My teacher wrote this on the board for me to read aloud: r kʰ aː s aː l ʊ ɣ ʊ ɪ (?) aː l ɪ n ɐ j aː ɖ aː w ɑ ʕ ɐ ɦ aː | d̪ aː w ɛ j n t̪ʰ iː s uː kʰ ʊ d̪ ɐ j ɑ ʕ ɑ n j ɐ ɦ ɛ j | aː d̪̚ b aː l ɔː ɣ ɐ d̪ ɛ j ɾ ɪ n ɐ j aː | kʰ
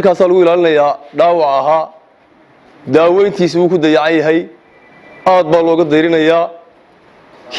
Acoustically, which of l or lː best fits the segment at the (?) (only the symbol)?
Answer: l